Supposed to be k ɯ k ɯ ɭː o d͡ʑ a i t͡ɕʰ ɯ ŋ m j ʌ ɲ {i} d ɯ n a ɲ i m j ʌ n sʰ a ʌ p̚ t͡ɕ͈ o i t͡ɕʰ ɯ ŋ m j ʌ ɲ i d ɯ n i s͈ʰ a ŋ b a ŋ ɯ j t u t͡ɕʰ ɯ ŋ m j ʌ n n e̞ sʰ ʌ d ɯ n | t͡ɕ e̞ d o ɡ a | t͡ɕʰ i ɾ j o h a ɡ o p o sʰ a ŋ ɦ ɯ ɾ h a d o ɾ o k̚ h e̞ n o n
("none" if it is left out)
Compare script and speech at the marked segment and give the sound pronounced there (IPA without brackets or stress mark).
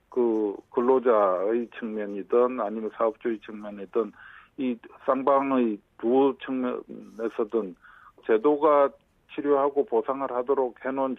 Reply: i